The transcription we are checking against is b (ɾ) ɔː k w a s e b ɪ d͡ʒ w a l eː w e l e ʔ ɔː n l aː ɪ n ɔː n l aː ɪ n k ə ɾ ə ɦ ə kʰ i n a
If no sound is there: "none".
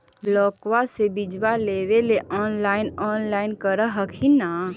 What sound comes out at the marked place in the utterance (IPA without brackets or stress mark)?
l